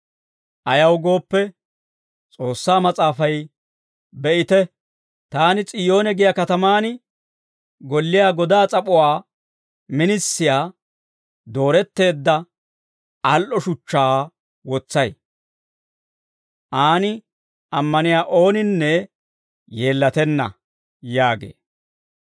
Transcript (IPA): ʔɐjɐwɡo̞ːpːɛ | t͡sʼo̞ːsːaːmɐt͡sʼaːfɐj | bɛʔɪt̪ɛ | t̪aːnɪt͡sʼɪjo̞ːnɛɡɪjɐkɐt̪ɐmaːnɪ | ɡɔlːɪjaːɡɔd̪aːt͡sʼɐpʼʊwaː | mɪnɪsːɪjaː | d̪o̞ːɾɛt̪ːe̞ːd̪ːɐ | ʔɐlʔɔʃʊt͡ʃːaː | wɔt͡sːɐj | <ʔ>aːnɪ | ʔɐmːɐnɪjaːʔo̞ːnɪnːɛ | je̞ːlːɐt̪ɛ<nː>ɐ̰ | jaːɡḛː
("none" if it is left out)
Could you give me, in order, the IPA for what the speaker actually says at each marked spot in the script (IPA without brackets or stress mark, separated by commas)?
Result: ʔ, nː